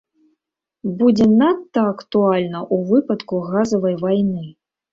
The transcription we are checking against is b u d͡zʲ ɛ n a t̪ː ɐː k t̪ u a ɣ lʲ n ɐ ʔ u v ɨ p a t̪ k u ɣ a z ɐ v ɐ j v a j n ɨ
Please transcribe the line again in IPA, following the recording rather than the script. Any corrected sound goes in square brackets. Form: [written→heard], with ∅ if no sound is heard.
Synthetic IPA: b u d͡zʲ ɛ n a t̪ː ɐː k t̪ u a [ɣ→∅] lʲ n ɐ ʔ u v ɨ p [a→ɐ] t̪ k u ɣ a z ɐ v ɐ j v a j n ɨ